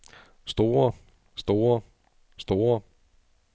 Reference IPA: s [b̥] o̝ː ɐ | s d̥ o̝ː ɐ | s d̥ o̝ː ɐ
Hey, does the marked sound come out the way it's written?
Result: no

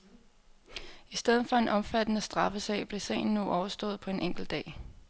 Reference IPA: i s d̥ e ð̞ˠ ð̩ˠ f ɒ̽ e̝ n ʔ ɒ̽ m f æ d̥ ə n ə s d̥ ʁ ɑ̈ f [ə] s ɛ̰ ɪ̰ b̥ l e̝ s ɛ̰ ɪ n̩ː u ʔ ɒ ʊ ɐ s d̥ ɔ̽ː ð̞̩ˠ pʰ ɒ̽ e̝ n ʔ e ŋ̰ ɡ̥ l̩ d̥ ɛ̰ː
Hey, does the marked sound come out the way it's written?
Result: yes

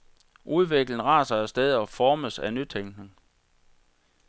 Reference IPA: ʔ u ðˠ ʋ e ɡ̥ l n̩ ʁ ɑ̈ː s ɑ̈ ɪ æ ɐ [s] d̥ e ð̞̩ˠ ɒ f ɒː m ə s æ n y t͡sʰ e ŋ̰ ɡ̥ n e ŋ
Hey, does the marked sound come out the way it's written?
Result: yes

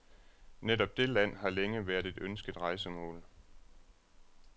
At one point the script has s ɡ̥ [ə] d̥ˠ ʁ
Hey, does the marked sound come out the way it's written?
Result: yes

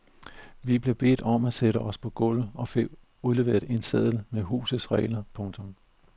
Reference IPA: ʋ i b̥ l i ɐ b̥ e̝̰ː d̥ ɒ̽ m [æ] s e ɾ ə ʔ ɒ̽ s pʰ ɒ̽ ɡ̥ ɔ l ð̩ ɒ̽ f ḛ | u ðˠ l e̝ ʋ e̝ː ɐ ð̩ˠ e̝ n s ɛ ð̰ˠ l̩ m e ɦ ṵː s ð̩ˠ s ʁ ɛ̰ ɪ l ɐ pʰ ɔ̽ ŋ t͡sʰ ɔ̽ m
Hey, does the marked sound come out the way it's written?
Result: yes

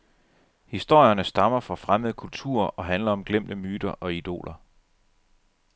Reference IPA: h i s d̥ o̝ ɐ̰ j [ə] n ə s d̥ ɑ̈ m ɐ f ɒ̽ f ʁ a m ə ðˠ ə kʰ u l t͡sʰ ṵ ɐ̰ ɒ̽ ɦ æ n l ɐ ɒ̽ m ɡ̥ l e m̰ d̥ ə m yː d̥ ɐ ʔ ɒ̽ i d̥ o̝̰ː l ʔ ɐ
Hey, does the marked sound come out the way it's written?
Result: no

